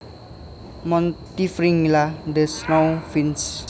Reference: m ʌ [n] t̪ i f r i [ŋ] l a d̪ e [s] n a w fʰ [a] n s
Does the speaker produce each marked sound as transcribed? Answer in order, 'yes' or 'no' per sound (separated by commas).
yes, yes, yes, no